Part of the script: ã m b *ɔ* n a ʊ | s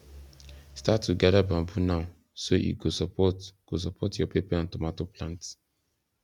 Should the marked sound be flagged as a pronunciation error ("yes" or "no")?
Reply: yes